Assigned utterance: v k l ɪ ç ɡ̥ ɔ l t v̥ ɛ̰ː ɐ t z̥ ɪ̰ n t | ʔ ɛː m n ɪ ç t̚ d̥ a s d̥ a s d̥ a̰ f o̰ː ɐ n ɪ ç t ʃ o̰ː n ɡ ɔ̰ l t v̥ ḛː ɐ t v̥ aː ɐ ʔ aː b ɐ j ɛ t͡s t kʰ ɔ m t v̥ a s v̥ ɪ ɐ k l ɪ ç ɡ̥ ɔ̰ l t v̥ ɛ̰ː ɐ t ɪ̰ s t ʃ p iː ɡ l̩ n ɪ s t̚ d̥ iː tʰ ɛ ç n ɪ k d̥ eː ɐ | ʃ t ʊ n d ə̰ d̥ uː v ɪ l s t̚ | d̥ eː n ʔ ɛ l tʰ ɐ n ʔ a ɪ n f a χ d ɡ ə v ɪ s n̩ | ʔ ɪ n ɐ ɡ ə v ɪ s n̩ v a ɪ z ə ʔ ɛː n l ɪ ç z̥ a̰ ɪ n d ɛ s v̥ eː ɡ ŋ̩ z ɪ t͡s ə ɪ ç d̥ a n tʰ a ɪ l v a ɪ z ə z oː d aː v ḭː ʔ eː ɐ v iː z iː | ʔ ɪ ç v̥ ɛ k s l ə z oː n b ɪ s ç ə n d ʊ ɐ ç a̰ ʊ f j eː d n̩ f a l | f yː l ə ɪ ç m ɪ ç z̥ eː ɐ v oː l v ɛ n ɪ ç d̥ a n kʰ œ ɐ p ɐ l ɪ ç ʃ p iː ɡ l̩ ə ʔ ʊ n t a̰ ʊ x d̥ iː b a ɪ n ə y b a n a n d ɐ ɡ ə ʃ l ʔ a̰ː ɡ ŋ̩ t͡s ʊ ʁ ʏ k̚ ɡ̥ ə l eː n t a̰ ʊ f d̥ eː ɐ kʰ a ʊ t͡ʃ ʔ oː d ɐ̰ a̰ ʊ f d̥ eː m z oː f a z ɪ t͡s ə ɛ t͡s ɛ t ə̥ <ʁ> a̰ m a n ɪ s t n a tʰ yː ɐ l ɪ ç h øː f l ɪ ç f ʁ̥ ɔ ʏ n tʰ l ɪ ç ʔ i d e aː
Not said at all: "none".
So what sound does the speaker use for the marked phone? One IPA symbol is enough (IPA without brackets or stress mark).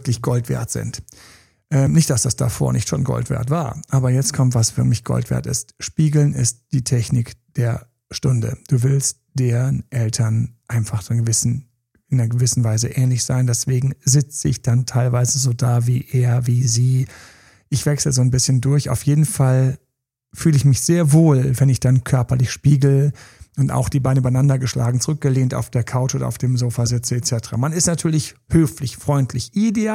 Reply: ʁ